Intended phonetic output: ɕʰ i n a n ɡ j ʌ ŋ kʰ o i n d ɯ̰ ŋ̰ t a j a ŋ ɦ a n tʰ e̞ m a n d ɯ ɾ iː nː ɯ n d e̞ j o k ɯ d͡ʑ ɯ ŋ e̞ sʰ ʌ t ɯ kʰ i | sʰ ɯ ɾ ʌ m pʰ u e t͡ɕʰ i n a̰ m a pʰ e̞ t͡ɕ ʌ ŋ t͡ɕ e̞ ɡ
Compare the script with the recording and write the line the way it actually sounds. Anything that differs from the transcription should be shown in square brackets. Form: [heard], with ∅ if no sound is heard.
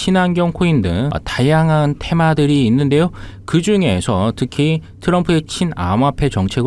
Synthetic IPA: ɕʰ i n a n ɡ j ʌ ŋ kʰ o i n d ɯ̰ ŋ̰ t a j a ŋ ɦ a n tʰ e̞ m a [∅] d ɯ ɾ iː nː ɯ n d e̞ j o k ɯ d͡ʑ [u] ŋ e̞ sʰ ʌ t ɯ kʰ i | [tʰ] ɯ ɾ ʌ m pʰ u e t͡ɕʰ i n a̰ m a pʰ e̞ t͡ɕ ʌ ŋ [t͡ɕʰ] e̞ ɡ